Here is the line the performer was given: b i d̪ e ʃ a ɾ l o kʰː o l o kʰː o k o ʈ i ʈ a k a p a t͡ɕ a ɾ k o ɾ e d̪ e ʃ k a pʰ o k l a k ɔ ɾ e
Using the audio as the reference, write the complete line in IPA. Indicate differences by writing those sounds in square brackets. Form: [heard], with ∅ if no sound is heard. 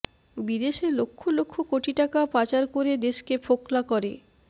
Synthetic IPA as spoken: b i d̪ e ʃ [e] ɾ l o kʰː o l o kʰː o k o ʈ i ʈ a k a p a t͡ɕ a ɾ k o ɾ e d̪ e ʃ k [e] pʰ o k l a k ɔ ɾ e